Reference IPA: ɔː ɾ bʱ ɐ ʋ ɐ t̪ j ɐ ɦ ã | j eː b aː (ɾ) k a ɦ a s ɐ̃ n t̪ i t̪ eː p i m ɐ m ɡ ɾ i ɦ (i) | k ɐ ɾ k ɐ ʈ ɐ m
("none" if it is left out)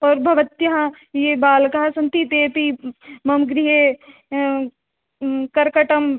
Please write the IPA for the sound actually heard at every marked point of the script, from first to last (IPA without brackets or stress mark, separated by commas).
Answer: l, e